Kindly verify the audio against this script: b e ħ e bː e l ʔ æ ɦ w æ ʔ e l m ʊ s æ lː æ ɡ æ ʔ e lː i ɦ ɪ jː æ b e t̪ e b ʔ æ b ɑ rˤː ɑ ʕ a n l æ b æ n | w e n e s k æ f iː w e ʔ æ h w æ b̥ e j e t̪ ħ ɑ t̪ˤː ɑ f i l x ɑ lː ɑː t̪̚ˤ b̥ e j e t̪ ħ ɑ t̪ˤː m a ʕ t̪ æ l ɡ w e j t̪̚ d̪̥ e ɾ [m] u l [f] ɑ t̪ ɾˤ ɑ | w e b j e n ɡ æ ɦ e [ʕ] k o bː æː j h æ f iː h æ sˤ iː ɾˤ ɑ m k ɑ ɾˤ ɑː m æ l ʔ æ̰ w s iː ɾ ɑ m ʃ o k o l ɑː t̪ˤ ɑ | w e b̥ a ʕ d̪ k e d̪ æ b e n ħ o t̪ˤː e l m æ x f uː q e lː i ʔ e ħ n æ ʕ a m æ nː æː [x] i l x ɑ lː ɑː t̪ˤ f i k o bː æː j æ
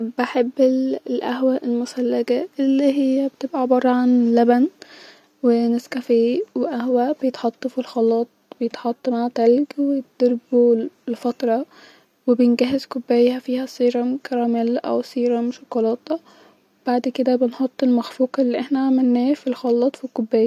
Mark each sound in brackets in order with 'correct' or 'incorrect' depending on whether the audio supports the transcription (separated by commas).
incorrect, correct, incorrect, incorrect